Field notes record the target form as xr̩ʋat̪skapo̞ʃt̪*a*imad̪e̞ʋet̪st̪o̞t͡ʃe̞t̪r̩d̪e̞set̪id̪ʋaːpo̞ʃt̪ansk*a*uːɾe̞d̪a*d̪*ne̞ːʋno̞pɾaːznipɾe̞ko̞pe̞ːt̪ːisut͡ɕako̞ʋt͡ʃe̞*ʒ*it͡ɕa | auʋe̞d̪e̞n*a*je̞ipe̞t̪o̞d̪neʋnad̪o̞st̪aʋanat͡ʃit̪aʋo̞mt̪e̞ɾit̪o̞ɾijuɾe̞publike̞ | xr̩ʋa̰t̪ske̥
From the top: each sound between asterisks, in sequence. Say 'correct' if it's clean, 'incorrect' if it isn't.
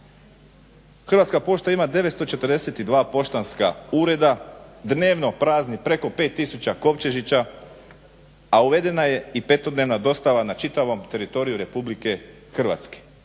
correct, correct, correct, correct, correct

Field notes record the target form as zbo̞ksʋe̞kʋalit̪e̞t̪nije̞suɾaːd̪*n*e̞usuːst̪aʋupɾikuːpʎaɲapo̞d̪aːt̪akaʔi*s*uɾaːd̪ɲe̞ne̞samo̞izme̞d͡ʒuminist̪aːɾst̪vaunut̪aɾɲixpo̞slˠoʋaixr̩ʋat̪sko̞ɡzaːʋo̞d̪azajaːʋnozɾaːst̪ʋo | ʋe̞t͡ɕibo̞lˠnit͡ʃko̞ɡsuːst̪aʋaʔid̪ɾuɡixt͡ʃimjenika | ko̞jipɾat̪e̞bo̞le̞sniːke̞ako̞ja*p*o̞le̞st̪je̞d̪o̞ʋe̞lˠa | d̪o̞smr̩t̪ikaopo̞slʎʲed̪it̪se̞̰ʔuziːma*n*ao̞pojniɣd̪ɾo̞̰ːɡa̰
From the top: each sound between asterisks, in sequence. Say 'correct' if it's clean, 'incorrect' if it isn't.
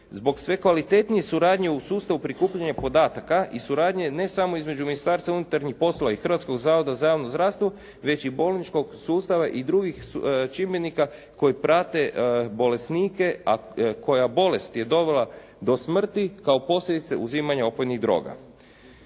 incorrect, correct, incorrect, incorrect

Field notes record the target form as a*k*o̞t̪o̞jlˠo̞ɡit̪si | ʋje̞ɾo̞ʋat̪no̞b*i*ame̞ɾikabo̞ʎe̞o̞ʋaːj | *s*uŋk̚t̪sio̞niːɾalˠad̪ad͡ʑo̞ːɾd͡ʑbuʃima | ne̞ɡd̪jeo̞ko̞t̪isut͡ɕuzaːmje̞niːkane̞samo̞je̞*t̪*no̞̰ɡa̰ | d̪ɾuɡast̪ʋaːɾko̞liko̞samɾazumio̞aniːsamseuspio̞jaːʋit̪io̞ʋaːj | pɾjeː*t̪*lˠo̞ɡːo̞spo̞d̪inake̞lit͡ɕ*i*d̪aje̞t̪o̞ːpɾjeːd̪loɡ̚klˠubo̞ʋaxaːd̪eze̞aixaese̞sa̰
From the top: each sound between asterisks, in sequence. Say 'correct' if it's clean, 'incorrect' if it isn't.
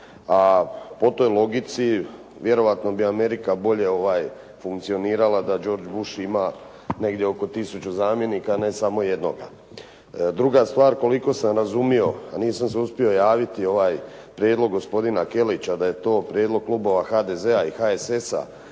incorrect, correct, incorrect, incorrect, incorrect, incorrect

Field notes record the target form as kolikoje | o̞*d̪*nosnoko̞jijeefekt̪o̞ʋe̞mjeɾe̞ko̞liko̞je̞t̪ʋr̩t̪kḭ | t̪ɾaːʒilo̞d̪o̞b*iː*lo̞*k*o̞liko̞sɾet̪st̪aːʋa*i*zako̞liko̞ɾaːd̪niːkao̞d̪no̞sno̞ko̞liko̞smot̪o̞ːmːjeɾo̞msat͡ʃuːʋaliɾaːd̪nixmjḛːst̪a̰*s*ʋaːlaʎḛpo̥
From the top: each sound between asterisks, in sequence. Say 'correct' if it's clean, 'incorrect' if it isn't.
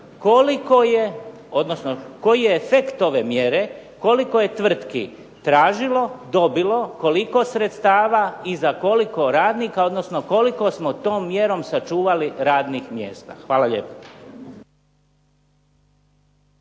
correct, incorrect, correct, correct, incorrect

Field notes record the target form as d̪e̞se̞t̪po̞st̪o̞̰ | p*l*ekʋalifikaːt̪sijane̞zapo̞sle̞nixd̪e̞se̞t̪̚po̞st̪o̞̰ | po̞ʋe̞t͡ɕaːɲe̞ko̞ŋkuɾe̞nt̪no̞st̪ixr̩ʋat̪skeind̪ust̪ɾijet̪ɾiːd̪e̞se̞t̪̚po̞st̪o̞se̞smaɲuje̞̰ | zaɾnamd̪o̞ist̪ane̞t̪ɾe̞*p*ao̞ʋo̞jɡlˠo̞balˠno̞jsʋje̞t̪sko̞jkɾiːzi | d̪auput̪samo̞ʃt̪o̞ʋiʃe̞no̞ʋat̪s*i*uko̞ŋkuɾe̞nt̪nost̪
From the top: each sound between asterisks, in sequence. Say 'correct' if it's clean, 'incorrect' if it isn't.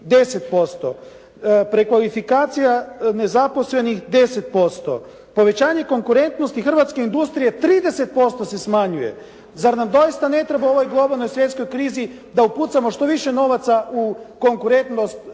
incorrect, incorrect, incorrect

